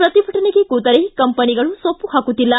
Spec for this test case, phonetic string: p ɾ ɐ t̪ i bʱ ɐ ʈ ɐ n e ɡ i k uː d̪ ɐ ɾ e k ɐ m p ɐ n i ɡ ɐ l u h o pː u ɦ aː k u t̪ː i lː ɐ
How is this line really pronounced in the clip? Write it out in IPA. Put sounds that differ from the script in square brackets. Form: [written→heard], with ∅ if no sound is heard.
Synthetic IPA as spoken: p ɾ ɐ t̪ i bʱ ɐ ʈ ɐ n e ɡ [i→e] k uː [d̪→t̪] ɐ ɾ e k ɐ m p ɐ n i ɡ ɐ [l→ɭ] u [h→s] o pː u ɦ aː k u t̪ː i lː ɐ